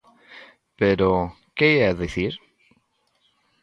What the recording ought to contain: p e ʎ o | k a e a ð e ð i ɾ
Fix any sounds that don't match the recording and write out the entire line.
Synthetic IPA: p e ɾ o | k e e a ð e θ i ɾ